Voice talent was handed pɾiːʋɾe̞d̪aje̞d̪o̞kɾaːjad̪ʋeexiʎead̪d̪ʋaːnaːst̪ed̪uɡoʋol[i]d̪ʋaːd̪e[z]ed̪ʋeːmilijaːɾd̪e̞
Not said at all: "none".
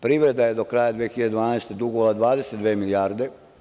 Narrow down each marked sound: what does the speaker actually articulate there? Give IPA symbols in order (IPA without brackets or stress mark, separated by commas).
a, s